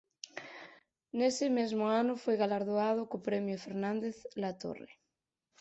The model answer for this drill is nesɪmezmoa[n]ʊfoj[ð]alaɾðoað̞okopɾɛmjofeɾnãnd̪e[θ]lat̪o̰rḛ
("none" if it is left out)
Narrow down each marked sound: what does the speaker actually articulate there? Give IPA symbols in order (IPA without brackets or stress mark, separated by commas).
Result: n, ɣ, θ